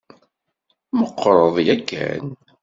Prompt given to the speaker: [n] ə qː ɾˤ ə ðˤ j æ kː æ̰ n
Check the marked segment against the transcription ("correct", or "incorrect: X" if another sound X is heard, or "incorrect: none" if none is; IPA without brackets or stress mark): incorrect: m